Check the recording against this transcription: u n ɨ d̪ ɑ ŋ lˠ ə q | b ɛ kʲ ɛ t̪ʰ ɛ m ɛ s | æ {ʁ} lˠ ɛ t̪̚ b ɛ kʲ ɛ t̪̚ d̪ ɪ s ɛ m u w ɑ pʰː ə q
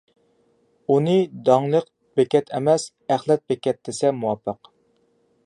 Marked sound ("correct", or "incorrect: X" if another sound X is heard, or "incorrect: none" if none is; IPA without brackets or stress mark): incorrect: χ